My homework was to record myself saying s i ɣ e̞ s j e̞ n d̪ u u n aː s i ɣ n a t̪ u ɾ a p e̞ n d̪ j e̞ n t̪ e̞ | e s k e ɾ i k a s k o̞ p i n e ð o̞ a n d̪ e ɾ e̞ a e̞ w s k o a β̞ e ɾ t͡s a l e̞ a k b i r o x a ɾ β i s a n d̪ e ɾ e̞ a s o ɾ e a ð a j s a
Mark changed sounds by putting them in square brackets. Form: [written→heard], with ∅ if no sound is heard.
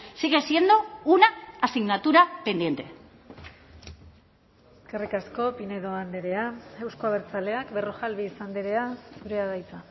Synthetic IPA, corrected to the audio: s i ɣ e̞ s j e̞ n d̪ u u n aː s i ɣ n a t̪ u ɾ a p e̞ n d̪ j e̞ n t̪ e̞ | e s k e [ɾ→r] i k a s k o̞ p i n e ð o̞ a n d̪ e ɾ e̞ a e̞ w s k o a β̞ e ɾ t͡s a l e̞ a k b [i→e] r o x a [ɾ→l] β i s a n d̪ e ɾ e̞ a s [o→u] ɾ e a ð a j [s→t͡s] a